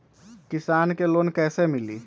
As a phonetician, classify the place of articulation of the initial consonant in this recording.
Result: velar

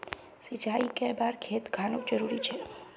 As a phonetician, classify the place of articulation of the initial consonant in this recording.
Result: alveolar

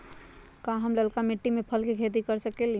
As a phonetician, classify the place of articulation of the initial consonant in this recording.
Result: velar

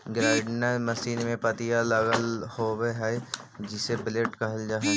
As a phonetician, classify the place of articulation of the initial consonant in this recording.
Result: velar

